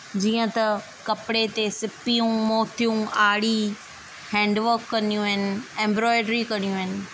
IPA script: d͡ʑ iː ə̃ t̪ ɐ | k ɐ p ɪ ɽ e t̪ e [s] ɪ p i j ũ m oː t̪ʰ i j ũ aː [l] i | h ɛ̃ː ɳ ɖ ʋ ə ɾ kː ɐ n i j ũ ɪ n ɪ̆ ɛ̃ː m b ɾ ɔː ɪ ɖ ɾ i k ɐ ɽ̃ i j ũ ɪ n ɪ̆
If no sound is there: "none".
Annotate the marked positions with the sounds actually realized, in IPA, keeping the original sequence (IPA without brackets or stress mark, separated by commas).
s, ɽ